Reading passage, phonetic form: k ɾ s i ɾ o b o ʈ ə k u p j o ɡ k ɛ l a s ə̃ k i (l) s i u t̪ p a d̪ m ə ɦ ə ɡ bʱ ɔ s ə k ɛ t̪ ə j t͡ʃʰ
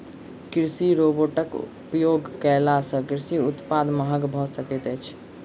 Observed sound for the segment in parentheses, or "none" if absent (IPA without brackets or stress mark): ɾ